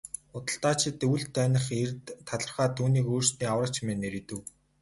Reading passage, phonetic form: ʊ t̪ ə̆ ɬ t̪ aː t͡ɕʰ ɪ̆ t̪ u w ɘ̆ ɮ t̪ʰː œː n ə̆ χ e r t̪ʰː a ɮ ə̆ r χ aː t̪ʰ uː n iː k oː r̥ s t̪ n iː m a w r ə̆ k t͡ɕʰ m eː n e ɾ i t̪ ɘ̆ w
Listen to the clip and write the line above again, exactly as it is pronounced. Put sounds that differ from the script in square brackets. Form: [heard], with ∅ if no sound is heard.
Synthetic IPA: ʊ t̪ ə̆ ɬ t̪ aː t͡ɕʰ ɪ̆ t̪ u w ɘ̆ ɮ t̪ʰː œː n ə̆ χ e r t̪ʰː a ɮ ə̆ r χ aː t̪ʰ uː n iː k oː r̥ s t̪ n iː [∅] a w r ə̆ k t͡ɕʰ m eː n e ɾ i t̪ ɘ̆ w